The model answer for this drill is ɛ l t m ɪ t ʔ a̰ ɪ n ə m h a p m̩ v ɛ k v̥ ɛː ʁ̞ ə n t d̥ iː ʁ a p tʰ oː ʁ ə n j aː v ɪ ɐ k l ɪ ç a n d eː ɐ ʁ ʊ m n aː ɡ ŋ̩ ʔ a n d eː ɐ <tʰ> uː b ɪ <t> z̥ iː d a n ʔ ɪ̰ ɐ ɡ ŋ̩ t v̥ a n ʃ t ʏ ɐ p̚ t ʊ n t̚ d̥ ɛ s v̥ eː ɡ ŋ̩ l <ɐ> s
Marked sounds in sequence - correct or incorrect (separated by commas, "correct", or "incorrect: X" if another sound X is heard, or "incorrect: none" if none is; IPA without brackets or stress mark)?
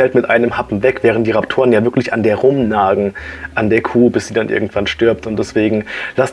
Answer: incorrect: kʰ, incorrect: s, incorrect: a